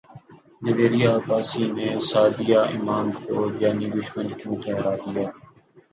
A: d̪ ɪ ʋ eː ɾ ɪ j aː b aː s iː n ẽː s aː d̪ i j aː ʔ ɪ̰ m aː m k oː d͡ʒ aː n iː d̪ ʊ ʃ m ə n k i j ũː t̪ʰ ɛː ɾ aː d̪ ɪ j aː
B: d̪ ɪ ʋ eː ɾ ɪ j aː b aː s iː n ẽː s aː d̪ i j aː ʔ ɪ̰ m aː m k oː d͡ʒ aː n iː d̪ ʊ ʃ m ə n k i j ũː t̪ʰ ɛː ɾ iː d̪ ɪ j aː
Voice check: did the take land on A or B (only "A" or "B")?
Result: A